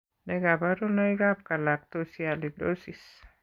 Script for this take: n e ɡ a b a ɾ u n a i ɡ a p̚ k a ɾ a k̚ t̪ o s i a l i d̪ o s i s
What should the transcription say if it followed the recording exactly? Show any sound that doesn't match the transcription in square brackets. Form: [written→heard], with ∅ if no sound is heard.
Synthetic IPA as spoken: n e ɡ a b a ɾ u n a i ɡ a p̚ k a [ɾ→l] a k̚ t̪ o s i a l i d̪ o s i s